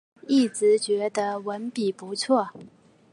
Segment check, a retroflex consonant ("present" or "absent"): absent